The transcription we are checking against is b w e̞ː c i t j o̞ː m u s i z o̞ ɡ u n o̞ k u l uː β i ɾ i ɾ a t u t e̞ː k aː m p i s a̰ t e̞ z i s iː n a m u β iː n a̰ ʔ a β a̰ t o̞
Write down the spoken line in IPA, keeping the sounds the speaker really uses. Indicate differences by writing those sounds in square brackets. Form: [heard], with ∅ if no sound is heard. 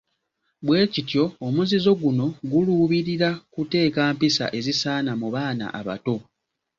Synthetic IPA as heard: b w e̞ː c i t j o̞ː m u [z] i z o̞ ɡ u n o̞ [ɡ] u l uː β i ɾ i ɾ a [k] u t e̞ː k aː m p i s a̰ [ʔ] e̞ z i s [aː] n a m u β [aː] n a̰ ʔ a β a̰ t o̞